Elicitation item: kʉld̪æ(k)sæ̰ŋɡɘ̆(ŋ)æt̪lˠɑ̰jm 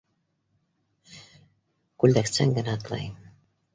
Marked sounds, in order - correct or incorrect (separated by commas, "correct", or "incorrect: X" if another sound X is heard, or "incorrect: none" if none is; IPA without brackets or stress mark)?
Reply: correct, incorrect: n